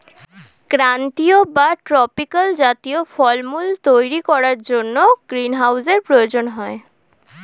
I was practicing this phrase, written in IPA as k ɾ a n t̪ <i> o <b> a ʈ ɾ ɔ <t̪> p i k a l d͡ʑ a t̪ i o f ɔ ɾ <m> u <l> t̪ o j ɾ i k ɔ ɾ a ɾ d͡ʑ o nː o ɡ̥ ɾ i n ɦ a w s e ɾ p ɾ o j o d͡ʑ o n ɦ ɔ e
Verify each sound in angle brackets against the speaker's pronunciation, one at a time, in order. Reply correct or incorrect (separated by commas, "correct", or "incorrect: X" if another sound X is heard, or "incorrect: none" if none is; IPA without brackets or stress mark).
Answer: correct, correct, incorrect: none, correct, correct